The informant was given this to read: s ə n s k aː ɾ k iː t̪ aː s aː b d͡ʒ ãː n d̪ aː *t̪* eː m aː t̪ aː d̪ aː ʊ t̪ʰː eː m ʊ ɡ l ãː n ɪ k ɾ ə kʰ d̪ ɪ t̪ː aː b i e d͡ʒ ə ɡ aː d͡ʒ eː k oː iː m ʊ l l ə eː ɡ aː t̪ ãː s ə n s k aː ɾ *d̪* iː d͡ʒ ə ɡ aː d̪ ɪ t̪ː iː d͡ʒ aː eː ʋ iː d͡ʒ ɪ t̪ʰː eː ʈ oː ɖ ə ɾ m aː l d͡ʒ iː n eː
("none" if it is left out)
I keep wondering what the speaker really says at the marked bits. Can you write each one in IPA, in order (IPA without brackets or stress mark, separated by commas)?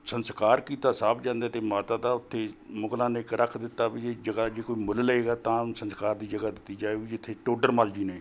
t̪, d̪